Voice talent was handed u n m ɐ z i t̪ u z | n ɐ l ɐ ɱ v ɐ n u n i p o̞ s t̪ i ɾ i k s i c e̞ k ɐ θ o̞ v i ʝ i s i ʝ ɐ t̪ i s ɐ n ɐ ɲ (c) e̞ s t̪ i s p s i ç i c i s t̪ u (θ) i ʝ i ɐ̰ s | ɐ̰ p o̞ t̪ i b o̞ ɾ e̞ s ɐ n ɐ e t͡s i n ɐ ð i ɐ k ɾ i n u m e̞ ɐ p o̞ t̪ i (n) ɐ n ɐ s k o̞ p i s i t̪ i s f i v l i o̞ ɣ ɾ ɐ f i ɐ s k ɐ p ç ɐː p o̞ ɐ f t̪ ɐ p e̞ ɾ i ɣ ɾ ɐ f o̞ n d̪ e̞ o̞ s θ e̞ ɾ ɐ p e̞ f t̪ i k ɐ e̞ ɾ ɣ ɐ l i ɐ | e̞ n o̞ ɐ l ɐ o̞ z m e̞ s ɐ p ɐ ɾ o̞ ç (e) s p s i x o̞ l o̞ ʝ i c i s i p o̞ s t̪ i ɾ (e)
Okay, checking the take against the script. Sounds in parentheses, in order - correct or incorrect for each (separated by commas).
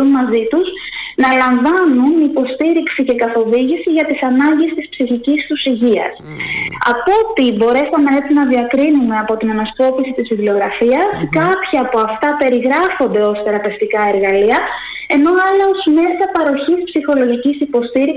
incorrect, incorrect, correct, incorrect, incorrect